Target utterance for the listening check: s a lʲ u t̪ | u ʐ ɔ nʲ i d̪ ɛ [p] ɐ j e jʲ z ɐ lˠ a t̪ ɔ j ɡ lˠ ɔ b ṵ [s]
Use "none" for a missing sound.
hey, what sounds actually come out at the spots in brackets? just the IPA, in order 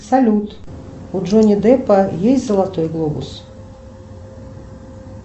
p, s

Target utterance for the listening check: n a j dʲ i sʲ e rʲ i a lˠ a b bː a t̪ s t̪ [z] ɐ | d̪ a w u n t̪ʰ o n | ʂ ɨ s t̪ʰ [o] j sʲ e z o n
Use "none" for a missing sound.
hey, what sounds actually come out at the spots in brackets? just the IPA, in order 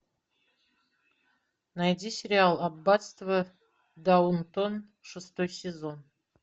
v, o

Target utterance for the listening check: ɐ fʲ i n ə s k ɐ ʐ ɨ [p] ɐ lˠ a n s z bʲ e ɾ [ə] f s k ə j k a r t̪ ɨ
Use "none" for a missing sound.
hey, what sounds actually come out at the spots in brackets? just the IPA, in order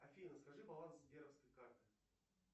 b, ə

